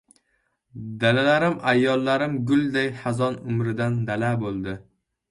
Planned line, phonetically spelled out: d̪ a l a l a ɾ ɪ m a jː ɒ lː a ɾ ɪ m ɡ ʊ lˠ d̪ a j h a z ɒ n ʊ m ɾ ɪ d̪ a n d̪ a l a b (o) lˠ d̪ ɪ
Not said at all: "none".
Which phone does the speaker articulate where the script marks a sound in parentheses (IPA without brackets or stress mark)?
o